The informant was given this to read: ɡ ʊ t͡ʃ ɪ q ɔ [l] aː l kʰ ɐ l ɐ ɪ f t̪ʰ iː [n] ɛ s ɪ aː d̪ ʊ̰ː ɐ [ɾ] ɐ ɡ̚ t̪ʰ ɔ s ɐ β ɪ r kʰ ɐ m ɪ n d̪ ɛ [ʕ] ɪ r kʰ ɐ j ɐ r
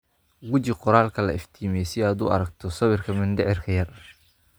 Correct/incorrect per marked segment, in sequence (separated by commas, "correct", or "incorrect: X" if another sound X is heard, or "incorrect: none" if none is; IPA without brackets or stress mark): incorrect: ɾ, incorrect: m, correct, correct